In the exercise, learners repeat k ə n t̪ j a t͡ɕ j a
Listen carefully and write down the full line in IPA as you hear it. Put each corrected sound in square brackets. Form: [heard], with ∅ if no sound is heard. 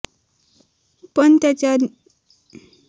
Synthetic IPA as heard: [p] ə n t̪ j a t͡ɕ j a